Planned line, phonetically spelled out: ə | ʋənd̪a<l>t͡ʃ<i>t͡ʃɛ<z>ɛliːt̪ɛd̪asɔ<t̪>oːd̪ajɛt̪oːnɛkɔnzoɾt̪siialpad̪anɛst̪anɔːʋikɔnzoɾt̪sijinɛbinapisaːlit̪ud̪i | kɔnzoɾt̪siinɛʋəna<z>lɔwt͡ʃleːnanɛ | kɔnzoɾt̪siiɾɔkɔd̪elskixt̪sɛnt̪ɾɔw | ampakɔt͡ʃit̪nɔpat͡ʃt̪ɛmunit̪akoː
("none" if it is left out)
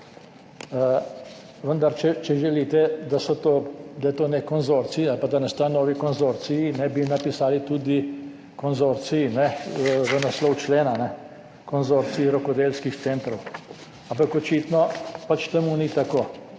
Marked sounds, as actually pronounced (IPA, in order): ɾ, ɛ, ʒ, t̪, s

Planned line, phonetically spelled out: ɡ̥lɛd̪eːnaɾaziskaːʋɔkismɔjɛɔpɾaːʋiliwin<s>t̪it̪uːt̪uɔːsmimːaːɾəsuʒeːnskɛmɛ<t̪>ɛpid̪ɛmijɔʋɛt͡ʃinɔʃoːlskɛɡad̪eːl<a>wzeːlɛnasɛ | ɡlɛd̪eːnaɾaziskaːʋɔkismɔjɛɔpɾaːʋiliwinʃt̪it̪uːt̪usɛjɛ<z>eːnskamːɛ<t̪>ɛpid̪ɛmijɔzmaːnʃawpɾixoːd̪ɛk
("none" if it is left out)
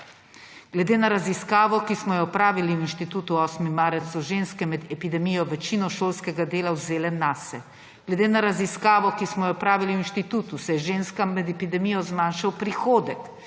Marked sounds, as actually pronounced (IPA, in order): ʃ, d̪, a, ʒ, d̪

